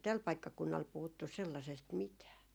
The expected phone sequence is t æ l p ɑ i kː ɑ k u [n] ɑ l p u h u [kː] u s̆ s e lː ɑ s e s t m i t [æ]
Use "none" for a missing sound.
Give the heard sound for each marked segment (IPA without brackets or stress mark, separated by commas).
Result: nː, tː, æː